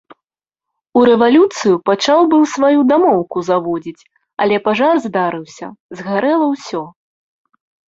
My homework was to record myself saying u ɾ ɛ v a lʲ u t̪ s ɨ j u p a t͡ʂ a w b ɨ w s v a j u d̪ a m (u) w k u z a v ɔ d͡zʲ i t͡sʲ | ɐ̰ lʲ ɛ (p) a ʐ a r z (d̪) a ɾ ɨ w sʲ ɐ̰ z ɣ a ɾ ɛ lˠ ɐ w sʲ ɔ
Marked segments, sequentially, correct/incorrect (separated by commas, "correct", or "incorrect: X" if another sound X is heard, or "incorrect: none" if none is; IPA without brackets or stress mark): incorrect: ɔ, correct, correct